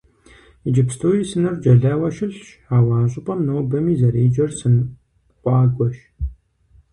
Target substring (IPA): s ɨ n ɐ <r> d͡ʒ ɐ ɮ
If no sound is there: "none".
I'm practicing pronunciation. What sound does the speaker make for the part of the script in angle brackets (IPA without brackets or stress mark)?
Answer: r